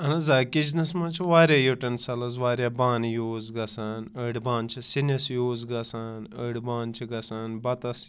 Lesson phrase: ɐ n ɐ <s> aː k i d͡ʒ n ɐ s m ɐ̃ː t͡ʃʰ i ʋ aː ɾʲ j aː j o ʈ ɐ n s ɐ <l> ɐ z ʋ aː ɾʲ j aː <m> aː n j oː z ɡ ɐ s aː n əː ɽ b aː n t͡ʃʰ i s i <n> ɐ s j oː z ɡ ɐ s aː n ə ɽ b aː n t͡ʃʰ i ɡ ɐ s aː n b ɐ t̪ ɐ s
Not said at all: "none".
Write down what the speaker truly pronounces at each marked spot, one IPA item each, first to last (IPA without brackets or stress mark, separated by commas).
z, l, b, n